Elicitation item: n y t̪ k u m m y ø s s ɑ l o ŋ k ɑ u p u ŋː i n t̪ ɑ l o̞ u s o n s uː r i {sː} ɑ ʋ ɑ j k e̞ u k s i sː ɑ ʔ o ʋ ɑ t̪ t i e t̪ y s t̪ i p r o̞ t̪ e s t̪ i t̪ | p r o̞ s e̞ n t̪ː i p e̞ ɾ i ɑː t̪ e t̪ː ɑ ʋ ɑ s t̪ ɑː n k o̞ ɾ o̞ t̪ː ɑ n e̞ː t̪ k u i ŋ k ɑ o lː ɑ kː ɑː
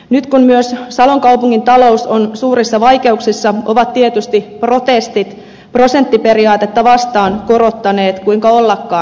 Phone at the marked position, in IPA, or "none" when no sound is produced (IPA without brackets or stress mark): sː